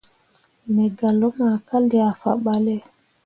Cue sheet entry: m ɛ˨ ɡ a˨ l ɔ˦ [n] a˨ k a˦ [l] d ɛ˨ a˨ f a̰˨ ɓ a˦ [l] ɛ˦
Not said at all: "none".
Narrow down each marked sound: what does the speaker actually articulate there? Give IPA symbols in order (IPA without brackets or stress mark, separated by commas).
m, l, l